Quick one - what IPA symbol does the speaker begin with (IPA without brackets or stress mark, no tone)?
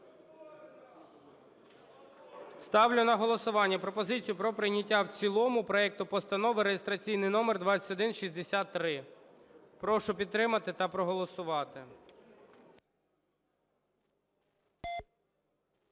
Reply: s